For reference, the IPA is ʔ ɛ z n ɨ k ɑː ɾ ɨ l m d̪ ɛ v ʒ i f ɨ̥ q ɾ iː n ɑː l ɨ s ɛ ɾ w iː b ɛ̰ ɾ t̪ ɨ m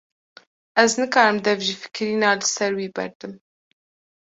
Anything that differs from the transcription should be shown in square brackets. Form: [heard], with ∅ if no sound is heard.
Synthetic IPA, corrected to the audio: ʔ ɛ z n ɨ k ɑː ɾ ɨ [∅] m d̪ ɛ v ʒ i f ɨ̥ [k] ɾ iː n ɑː l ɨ s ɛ ɾ w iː b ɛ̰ ɾ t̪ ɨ m